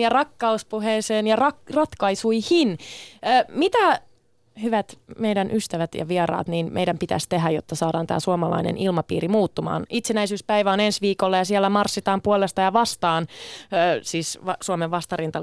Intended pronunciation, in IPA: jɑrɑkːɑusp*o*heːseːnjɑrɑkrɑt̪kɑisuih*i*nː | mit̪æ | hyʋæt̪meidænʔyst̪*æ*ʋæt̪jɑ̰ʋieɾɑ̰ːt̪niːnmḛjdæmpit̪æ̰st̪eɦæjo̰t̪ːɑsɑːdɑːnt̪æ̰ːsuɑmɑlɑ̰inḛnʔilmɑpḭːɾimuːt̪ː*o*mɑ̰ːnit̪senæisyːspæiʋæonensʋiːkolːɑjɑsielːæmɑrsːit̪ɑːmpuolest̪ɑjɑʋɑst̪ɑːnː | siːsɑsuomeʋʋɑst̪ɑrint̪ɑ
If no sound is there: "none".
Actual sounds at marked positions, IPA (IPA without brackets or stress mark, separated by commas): u, i, æ, u